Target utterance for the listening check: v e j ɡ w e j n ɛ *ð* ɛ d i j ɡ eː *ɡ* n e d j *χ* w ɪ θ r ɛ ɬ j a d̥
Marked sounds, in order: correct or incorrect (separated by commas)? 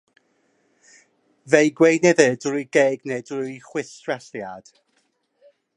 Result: correct, correct, correct